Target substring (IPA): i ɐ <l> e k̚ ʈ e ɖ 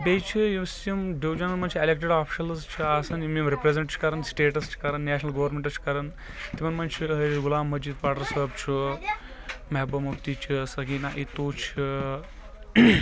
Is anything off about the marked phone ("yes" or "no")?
no